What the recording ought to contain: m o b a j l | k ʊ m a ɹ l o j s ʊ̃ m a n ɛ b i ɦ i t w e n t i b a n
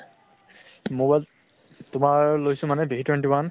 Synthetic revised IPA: m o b a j l | t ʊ m a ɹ l o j s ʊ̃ m a n ɛ b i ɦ i t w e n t i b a n